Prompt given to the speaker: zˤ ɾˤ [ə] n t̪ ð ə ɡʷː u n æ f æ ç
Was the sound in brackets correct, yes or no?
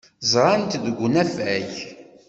no